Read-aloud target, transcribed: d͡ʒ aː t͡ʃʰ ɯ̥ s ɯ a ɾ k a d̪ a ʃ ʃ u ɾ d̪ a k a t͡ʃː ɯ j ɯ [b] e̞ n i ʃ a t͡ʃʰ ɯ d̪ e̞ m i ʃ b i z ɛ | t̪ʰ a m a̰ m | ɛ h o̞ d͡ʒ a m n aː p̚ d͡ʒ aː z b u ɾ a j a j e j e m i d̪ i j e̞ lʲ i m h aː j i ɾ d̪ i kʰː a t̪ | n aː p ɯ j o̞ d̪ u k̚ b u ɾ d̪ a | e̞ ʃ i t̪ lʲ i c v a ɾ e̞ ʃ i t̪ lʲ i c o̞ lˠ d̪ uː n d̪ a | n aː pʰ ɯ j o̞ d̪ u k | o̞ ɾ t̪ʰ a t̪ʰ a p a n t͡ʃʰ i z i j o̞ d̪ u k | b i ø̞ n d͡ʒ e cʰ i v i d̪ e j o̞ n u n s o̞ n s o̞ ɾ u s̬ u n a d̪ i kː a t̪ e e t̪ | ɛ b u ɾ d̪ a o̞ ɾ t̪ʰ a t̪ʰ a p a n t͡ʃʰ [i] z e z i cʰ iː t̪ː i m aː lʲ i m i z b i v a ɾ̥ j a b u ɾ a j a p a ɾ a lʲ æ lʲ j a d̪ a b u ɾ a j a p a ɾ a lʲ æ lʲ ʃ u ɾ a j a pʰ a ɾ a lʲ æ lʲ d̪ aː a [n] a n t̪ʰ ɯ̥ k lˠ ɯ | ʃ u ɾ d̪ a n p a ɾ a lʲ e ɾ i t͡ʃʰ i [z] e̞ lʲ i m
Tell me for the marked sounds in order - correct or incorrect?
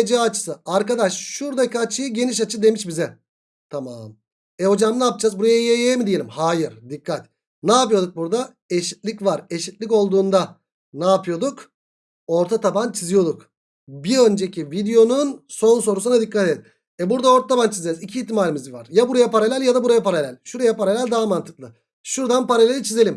incorrect, correct, incorrect, correct

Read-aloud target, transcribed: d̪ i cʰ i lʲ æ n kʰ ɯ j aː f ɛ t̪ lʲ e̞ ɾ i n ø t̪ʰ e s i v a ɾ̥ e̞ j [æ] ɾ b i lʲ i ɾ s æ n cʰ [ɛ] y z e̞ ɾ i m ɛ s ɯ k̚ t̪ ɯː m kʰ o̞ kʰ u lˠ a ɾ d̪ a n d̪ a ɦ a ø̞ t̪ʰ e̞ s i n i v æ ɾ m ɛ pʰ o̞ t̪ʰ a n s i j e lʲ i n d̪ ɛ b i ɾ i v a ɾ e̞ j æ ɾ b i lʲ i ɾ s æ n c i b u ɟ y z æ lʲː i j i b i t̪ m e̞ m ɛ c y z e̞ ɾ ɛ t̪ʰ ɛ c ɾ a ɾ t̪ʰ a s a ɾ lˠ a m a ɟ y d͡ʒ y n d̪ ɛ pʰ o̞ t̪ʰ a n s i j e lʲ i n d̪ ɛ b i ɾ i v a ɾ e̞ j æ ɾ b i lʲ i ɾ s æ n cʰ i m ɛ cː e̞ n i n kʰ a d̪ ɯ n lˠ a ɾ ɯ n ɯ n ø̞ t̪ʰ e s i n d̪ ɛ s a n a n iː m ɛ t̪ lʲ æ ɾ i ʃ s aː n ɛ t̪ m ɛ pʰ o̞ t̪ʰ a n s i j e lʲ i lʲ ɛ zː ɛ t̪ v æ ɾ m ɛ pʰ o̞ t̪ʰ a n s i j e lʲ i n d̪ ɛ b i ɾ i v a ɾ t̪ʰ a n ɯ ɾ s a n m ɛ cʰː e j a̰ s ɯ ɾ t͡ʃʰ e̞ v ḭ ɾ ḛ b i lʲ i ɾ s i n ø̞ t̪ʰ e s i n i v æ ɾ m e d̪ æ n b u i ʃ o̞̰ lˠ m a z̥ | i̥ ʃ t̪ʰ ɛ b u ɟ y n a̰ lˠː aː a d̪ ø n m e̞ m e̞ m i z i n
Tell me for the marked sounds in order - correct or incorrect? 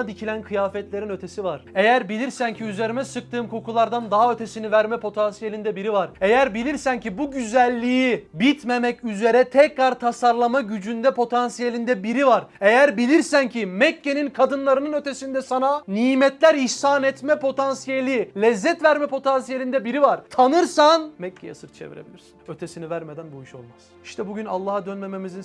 correct, incorrect

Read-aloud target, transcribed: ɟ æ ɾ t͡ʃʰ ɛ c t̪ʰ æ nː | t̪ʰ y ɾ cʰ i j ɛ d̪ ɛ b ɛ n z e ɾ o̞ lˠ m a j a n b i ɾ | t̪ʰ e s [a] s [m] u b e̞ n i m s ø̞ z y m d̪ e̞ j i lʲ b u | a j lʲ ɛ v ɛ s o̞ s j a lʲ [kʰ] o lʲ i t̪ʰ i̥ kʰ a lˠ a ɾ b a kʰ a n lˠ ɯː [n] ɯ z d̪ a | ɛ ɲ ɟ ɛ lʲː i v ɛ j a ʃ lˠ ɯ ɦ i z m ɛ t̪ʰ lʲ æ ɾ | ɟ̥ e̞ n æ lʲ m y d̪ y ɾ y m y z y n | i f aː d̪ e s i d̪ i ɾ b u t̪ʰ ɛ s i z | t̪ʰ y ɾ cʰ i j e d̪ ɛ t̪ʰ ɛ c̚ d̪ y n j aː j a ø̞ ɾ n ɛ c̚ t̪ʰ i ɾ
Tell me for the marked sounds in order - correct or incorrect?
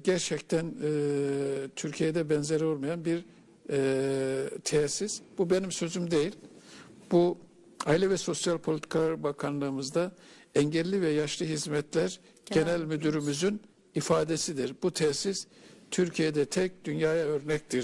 incorrect, incorrect, incorrect, incorrect

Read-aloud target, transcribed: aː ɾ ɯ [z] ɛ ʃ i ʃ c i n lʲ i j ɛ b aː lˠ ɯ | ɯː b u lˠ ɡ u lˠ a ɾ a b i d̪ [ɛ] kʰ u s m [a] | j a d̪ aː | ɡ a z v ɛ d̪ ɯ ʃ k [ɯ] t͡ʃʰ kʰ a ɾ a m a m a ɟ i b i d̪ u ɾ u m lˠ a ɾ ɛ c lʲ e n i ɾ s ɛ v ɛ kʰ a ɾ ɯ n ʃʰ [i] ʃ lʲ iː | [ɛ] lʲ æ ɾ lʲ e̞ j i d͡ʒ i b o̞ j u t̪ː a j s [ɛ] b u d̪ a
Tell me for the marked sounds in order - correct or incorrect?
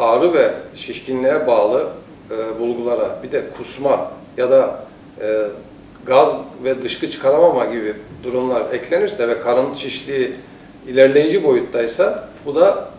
incorrect, correct, correct, correct, correct, incorrect, incorrect

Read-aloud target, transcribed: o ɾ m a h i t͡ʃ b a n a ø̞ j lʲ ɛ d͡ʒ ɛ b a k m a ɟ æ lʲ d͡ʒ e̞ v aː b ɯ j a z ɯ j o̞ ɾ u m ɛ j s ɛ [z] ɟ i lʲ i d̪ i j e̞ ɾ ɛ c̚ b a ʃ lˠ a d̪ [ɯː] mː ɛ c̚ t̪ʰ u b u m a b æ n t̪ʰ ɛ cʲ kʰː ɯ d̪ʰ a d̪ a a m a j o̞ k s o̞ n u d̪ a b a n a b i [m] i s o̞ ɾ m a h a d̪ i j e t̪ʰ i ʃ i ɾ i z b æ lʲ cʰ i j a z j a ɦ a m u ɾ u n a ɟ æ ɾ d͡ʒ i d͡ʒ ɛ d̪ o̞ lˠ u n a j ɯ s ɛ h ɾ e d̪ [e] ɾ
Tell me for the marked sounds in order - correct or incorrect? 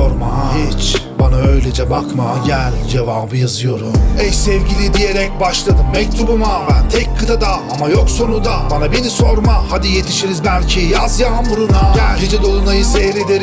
incorrect, incorrect, incorrect, correct

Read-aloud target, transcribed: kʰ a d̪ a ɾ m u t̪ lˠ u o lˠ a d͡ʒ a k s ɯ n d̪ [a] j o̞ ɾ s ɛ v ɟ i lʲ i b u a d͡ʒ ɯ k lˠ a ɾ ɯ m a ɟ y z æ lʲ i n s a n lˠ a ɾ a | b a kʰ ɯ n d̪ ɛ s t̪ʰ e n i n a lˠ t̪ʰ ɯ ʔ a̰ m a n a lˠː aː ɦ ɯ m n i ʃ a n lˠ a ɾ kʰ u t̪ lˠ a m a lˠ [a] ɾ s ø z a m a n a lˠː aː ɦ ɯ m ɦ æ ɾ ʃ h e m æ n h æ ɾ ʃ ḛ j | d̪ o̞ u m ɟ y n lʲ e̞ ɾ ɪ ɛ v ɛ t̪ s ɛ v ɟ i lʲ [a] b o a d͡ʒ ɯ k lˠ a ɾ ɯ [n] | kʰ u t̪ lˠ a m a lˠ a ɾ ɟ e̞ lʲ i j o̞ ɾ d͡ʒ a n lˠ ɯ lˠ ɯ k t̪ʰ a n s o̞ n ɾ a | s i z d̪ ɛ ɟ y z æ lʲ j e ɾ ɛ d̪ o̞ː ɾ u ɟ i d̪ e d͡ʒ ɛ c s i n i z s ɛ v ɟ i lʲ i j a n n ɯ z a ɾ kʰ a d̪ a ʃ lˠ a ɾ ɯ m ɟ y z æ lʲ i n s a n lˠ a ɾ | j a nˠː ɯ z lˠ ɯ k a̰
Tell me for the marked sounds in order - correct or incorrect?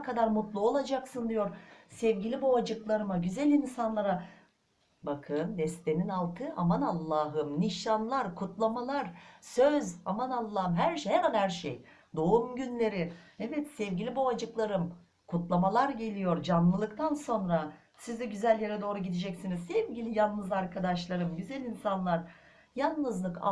incorrect, correct, incorrect, incorrect

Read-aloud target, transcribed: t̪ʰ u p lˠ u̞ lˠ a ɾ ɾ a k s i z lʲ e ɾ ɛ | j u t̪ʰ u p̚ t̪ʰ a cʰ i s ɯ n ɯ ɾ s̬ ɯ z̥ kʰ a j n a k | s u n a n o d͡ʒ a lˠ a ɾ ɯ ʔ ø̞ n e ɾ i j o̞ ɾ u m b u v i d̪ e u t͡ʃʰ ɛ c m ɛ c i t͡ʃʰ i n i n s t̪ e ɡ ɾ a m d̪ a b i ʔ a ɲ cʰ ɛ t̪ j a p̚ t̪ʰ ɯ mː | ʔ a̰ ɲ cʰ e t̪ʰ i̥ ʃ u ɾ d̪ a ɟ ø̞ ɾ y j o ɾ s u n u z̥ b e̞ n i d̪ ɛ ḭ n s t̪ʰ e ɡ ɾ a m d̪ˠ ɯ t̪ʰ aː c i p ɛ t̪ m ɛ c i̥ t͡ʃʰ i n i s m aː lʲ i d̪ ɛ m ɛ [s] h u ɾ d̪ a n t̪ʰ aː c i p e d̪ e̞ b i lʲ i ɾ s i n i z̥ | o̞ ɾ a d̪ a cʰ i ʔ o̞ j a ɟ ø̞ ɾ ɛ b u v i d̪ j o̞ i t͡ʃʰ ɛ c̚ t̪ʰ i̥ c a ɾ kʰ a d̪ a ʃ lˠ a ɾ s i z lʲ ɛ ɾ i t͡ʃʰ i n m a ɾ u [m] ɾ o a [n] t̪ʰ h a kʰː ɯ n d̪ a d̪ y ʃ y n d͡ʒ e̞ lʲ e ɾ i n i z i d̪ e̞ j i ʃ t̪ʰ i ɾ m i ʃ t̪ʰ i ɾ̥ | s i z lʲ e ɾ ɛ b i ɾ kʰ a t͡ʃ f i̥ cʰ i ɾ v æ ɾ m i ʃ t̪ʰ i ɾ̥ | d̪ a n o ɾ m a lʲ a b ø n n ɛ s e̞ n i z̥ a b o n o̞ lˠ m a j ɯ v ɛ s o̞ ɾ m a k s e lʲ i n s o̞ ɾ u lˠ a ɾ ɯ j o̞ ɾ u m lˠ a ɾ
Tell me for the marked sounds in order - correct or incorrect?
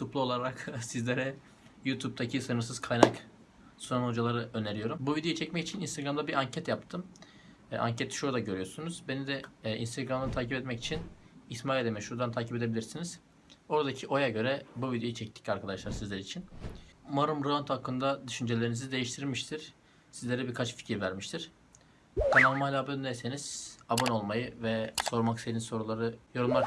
incorrect, correct, correct

